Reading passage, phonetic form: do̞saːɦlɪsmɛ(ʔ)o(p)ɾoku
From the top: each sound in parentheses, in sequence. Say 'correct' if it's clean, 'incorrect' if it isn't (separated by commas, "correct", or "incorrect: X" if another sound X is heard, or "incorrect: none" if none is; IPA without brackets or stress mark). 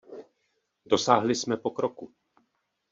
incorrect: p, incorrect: k